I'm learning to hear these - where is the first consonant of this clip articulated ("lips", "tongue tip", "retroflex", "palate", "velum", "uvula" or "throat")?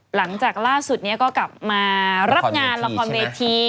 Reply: tongue tip